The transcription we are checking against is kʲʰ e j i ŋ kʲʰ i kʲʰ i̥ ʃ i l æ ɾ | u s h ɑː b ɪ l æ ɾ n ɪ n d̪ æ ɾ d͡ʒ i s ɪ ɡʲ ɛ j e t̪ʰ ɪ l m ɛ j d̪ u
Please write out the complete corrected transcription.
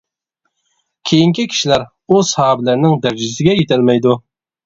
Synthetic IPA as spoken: kʲʰ e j i ŋ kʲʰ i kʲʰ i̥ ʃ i l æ ɾ | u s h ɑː b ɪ l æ ɾ n ɪ ŋ d̪ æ ɾ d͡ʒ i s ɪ ɡʲ ɛ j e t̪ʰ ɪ l m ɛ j d̪ u